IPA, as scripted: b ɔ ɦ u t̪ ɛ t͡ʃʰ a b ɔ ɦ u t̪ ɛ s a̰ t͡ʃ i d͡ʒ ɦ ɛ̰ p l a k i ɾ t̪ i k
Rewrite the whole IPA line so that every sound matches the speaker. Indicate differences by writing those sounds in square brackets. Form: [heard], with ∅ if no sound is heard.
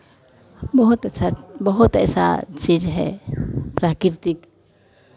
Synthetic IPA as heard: b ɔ ɦ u t̪ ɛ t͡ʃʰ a b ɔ ɦ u t̪ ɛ s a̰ t͡ʃ i d͡ʒ ɦ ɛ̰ p [ɾ] a k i ɾ t̪ i k

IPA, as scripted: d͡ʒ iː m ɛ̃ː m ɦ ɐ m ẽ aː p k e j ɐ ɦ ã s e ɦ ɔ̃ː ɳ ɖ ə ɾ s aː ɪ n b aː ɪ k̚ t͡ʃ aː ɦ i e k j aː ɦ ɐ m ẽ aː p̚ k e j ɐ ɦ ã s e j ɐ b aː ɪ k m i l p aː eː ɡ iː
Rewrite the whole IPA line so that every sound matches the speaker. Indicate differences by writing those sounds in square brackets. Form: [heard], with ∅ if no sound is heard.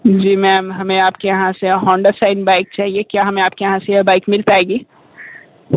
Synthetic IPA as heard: d͡ʒ iː m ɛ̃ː m ɦ ɐ m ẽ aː p k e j ɐ ɦ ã s e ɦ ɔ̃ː ɳ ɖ ə ɾ s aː ɪ n b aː ɪ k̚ t͡ʃ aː ɦ i e k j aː ɦ ɐ m ẽ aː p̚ k e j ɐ ɦ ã s e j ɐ b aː ɪ k m [ɪ] l p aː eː ɡ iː

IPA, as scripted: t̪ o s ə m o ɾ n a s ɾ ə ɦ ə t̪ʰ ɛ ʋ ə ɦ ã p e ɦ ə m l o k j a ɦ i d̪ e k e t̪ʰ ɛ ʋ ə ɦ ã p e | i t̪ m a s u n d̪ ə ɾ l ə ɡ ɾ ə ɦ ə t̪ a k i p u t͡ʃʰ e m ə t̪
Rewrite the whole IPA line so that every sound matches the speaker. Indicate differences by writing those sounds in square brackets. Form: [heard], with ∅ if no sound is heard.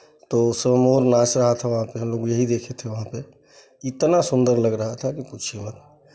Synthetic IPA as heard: t̪ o s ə m o ɾ n a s ɾ ə ɦ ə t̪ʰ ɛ ʋ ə ɦ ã p e ɦ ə m l o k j [ə] ɦ i d̪ e [kʰ] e t̪ʰ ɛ ʋ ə ɦ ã p e | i t̪ [n] a s u n d̪ ə ɾ l ə ɡ ɾ ə ɦ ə [t̪ʰ] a k i p u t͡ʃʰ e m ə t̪

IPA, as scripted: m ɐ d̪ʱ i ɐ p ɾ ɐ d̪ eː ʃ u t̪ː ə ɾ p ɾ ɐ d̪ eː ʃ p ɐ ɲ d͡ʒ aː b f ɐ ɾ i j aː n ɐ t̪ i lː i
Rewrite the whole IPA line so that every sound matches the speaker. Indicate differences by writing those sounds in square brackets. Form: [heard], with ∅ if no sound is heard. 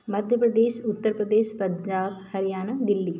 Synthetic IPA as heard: m ɐ d̪ʱ [j] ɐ p ɾ ɐ d̪ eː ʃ u t̪ː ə ɾ p ɾ ɐ d̪ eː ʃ p ɐ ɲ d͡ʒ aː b [h] ɐ ɾ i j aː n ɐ [d̪] i lː i

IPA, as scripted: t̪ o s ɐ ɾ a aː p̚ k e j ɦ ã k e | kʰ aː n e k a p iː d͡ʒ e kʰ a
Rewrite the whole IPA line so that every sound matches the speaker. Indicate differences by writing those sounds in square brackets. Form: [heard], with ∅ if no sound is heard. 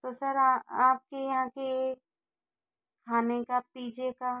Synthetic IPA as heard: t̪ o s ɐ ɾ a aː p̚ k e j ɦ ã k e | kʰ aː n e k a p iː d͡ʒ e [k] a

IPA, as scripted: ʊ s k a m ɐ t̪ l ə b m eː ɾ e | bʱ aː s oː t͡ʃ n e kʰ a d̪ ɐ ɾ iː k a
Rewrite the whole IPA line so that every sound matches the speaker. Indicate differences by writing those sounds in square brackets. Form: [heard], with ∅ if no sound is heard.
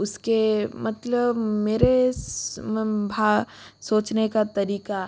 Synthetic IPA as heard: ʊ s k [e] m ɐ t̪ l ə b m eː ɾ e | bʱ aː s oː t͡ʃ n e [k] a [t̪] ɐ ɾ iː k a

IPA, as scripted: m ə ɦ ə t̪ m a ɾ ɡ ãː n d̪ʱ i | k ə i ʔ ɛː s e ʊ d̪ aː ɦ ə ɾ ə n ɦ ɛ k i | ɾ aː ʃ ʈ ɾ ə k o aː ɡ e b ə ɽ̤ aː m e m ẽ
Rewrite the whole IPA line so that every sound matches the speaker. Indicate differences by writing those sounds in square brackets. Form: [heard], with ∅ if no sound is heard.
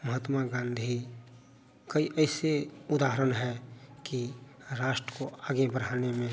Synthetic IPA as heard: m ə ɦ ə t̪ m a [∅] ɡ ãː n d̪ʱ i | k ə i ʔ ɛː s e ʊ d̪ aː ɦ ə ɾ ə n ɦ ɛ k i | ɾ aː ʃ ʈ ɾ ə k o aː ɡ e b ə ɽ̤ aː [n] e m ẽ

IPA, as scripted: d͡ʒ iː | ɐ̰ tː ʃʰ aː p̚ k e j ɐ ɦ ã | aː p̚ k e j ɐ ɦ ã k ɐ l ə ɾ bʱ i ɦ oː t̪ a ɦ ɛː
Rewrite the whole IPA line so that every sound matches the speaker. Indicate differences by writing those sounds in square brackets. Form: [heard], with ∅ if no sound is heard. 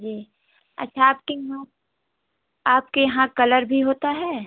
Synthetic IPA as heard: d͡ʒ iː | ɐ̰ tː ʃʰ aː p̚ k e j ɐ ɦ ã | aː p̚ k e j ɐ ɦ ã k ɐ l ə ɾ bʱ i ɦ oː t̪ a ɦ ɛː

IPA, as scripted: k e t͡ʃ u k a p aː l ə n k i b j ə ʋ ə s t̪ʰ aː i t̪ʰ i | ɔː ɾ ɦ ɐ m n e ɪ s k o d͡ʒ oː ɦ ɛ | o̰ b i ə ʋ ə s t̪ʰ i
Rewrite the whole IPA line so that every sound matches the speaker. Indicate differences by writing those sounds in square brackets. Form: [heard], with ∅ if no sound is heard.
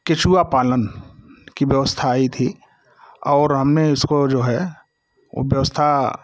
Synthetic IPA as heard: k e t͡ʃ u [∅] a p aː l ə n k i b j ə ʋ ə s t̪ʰ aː i t̪ʰ i | ɔː ɾ ɦ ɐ m n e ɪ s k o d͡ʒ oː ɦ ɛ | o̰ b [j] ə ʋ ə s t̪ʰ [a]

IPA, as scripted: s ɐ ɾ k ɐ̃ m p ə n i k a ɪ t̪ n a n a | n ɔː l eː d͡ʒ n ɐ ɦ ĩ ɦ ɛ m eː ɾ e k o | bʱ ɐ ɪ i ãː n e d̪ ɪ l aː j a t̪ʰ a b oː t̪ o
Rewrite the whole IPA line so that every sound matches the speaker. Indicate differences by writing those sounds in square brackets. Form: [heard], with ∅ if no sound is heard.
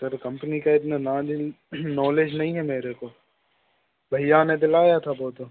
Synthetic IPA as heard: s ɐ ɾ k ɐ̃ m p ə n i k a ɪ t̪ n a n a | n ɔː l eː d͡ʒ n ɐ ɦ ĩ ɦ ɛ m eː ɾ e k o | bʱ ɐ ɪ [j] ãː n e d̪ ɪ l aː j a t̪ʰ a b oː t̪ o

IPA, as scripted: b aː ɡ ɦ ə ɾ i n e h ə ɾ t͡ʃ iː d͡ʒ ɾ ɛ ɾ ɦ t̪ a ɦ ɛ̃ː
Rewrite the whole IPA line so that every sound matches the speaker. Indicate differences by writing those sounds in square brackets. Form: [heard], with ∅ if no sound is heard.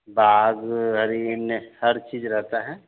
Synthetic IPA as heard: b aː ɡ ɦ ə ɾ i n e h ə ɾ t͡ʃ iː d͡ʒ ɾ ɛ [∅] ɦ t̪ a ɦ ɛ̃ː

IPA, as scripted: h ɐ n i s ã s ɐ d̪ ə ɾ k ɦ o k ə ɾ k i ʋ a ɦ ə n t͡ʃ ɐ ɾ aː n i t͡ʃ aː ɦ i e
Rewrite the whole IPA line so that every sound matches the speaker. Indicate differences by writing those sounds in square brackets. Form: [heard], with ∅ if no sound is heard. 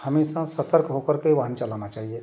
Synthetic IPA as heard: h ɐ [m] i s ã s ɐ [t̪] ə ɾ k ɦ o k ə ɾ k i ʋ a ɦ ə n t͡ʃ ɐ [l] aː n [a] t͡ʃ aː ɦ i e

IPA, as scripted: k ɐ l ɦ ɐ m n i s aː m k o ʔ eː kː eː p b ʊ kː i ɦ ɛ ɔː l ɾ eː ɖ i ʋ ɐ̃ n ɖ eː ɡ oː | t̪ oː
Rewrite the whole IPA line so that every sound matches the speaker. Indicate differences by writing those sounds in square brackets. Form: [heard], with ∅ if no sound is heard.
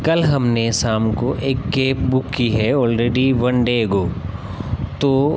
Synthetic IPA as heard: k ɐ l ɦ ɐ m n [e] s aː m k o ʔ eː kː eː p b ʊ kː i ɦ ɛ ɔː l ɾ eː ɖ i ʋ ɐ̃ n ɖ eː ɡ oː | t̪ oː

